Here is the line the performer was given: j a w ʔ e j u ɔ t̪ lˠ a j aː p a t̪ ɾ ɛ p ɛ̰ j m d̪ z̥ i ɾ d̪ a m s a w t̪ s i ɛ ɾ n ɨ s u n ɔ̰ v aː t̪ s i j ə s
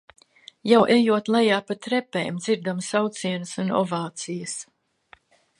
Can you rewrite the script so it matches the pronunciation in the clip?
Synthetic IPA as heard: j a w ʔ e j u ɔ t̪ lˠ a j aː p a t̪ ɾ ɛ p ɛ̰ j m d̪ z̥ i ɾ d̪ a m s a w t̪ s i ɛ n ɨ s u n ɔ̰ v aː t̪ s i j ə s